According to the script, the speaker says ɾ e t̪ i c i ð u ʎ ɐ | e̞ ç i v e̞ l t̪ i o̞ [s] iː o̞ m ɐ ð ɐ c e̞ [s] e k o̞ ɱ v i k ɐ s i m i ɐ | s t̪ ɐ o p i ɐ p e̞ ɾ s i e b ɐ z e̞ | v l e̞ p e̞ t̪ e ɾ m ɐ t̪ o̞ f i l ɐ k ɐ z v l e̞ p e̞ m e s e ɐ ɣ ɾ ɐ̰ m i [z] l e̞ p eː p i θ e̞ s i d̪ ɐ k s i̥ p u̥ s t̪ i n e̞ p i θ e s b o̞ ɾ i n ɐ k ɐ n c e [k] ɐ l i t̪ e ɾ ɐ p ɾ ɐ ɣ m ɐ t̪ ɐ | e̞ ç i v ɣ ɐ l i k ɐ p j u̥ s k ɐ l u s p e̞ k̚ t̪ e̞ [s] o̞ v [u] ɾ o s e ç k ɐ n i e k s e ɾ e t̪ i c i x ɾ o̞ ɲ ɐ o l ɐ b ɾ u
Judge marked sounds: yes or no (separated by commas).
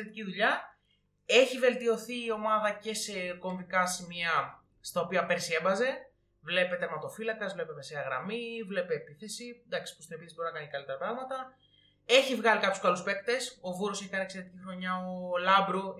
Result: no, yes, no, yes, yes, yes